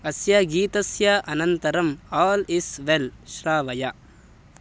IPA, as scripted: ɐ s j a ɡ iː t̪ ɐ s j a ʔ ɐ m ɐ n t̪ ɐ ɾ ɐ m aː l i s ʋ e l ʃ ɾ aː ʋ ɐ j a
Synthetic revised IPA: ɐ s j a ɡ iː t̪ ɐ s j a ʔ ɐ n ɐ n t̪ ɐ ɾ ɐ m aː l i s ʋ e l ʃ ɾ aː ʋ ɐ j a